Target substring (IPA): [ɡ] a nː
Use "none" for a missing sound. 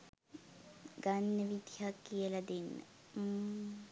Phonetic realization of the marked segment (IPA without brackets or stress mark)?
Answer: ɡ